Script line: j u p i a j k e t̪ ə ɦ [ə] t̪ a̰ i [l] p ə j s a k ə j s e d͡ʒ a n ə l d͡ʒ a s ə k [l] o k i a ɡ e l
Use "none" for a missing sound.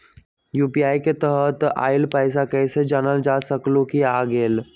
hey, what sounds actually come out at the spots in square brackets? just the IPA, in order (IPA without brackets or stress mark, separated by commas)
ə, l, l